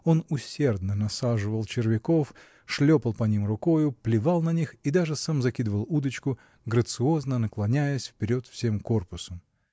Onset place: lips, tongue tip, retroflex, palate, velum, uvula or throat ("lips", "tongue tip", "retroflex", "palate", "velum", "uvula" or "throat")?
tongue tip